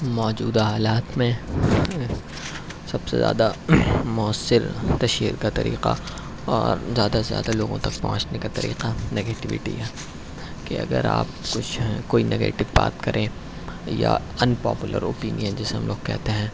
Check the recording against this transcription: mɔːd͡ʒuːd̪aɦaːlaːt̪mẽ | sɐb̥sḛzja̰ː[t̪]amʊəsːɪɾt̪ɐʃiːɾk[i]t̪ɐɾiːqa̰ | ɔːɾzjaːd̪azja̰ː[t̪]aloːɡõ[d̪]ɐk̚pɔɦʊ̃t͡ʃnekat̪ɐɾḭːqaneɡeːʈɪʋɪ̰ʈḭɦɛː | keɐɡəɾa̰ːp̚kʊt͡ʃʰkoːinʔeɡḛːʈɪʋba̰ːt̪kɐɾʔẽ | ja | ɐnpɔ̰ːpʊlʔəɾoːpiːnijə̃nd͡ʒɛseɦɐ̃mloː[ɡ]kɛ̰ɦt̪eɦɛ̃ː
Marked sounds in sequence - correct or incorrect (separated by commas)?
incorrect, incorrect, incorrect, incorrect, correct